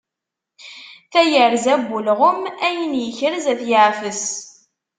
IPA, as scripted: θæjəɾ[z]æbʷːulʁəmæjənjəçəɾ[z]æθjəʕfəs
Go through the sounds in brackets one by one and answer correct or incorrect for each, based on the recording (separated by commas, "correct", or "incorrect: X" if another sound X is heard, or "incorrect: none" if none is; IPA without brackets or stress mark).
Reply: correct, correct